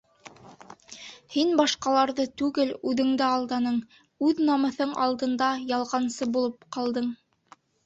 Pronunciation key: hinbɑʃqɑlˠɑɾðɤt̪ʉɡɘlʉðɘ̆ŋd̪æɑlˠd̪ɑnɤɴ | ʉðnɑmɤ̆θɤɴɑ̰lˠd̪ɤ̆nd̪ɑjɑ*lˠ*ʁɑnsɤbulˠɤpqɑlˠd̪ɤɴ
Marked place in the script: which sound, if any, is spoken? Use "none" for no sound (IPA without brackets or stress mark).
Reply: lˠ